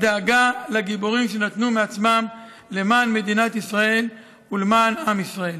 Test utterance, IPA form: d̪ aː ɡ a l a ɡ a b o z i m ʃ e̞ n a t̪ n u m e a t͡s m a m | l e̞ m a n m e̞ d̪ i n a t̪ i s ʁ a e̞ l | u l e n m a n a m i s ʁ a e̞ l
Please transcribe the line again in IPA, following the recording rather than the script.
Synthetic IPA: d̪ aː ɡ a l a ɡ i b o ʁ i m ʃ e̞ n a t̪ n u m e a t͡s m a m | l e̞ m a n m e̞ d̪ i n a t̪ i s ʁ a e̞ l | u l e m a n a m i s ʁ a e̞ l